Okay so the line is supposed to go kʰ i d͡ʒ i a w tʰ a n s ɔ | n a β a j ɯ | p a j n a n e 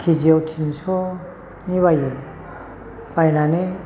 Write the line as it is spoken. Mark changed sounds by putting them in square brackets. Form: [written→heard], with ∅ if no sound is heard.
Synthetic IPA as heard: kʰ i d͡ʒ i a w tʰ [a→i] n s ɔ | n [a→i] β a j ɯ | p a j n a n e